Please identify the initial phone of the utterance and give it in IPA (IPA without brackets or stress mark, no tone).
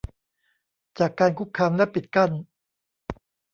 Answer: t͡ɕ